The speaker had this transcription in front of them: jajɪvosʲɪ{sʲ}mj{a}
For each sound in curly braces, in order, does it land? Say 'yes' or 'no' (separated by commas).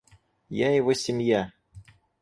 no, yes